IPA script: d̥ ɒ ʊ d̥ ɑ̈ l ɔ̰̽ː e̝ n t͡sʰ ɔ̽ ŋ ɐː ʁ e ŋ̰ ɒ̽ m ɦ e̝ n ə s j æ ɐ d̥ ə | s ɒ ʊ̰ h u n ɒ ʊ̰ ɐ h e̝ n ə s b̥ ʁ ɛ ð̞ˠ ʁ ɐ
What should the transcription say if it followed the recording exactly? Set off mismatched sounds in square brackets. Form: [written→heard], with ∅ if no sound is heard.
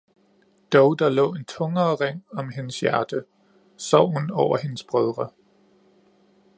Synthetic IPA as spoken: d̥ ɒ ʊ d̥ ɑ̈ l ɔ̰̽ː e̝ n t͡sʰ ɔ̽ ŋ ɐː ʁ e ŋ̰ ɒ̽ m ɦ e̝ n ə s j æ ɐ d̥ ə | s ɒ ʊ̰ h u n ɒ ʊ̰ ɐ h e̝ n ə s b̥ ʁ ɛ ð̞ˠ ʁ ɐ